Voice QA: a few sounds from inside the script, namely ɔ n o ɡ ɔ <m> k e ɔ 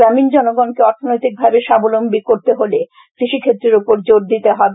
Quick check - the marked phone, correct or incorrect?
incorrect